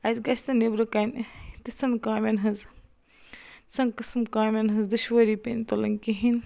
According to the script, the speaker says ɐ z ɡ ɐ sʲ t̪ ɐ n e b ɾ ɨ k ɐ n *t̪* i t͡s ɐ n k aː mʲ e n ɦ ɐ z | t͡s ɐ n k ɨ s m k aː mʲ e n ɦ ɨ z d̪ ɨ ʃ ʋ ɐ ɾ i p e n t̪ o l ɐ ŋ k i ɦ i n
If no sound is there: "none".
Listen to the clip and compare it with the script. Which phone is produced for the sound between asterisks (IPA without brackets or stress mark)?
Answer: t̪